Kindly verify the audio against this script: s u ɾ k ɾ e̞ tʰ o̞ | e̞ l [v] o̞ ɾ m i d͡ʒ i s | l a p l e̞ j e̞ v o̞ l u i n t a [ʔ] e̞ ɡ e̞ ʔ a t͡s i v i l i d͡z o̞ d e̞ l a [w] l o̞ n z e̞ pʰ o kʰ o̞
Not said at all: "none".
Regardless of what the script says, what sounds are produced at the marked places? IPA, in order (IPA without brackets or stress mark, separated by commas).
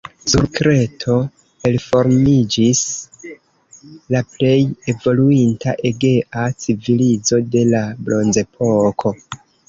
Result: f, ʔ, b